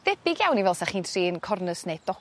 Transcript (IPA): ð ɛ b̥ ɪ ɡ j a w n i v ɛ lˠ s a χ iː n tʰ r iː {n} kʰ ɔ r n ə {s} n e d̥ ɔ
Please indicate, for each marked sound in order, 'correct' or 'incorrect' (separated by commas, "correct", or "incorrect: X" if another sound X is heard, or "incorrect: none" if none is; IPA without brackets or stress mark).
correct, correct